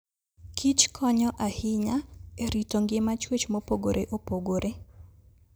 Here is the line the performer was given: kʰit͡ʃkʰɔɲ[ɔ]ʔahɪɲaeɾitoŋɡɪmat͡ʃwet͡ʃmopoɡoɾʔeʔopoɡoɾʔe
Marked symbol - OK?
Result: yes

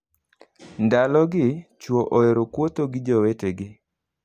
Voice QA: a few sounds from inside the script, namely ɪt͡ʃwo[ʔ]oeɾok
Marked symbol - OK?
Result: yes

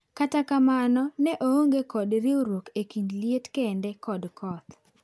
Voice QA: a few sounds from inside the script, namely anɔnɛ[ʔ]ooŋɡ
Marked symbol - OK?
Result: yes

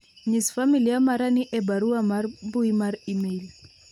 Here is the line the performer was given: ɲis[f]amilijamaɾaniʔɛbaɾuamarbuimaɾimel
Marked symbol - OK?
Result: yes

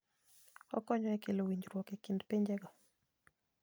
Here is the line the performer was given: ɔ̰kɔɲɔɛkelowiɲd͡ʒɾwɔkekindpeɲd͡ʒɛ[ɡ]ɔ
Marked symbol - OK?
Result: yes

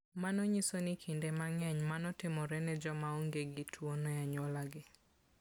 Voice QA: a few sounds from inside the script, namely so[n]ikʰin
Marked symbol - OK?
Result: yes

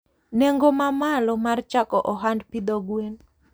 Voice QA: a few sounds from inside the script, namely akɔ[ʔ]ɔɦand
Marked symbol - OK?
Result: yes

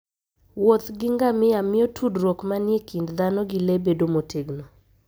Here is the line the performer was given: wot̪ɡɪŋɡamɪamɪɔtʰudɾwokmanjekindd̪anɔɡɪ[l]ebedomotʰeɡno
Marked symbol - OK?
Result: yes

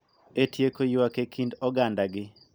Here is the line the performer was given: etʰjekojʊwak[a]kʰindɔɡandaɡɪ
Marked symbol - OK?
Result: no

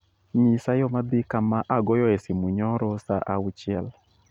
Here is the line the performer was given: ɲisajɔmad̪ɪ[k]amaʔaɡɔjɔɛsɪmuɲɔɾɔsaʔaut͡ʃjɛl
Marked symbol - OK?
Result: yes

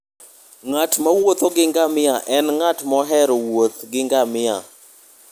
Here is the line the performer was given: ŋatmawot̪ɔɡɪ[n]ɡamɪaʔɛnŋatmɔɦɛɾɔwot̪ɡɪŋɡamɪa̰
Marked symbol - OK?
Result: no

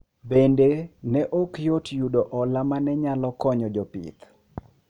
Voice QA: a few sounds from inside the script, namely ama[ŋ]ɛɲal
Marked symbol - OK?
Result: no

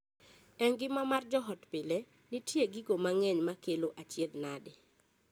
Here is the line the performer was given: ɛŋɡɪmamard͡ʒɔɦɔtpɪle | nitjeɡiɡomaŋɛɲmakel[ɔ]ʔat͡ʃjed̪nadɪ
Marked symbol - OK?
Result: no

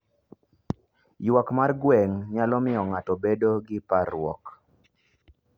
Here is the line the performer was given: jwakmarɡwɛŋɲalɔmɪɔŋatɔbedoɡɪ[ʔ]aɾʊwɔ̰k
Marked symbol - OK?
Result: no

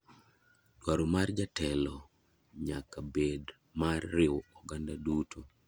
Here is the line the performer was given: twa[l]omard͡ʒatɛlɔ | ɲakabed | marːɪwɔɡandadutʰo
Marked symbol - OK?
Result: no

